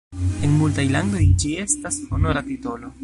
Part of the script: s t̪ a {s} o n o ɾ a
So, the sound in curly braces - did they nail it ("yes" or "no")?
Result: yes